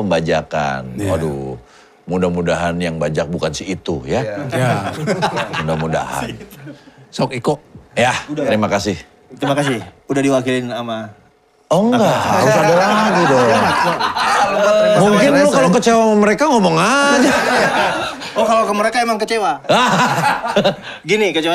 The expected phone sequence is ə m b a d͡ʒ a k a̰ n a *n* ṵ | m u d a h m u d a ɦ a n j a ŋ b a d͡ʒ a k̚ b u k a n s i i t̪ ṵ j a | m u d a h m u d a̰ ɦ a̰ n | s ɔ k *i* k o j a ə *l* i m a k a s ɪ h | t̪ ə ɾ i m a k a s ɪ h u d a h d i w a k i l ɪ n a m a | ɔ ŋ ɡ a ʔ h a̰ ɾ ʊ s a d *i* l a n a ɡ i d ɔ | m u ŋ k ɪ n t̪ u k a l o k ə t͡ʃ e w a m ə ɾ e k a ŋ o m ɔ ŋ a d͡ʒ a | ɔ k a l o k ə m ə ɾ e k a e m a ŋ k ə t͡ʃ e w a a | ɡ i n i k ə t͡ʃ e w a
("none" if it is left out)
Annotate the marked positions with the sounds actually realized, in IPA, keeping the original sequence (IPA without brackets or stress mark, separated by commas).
d, i, ɾ, a